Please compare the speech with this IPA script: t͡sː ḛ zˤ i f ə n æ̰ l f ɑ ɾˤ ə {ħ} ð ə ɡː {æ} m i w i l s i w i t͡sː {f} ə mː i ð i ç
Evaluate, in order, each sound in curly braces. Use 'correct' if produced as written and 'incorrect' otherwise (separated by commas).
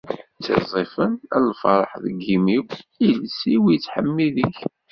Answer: correct, incorrect, incorrect